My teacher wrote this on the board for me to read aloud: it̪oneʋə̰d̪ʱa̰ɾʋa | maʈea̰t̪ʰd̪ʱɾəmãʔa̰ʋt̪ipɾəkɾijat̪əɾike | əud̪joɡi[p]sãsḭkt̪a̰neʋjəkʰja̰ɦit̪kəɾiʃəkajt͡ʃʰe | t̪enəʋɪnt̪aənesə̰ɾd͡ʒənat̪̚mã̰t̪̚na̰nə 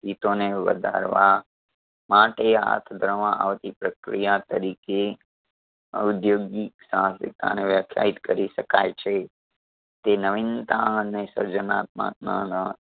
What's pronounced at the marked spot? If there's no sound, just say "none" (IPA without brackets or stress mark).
k